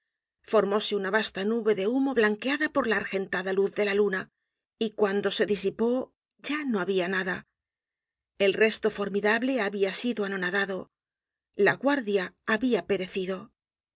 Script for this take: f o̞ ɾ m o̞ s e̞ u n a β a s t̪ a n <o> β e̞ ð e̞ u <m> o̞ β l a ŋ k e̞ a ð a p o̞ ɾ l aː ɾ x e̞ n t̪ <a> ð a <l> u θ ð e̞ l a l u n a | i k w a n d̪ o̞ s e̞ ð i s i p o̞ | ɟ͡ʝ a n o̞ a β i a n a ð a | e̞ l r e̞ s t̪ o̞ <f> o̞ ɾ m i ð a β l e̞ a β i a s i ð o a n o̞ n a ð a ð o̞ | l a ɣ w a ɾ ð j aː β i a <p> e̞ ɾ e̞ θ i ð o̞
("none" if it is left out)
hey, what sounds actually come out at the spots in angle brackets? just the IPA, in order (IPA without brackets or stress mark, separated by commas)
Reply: u, m, a, l, f, p